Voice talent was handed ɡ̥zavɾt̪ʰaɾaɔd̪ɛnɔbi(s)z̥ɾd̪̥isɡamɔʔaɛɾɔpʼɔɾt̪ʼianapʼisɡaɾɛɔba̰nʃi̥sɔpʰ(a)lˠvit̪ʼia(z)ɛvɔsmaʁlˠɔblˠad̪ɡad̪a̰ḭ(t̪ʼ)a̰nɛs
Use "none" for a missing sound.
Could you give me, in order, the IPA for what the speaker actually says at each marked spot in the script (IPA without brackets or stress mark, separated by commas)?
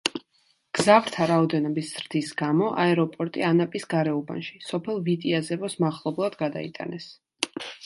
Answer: s, ɛ, z, t̪ʼ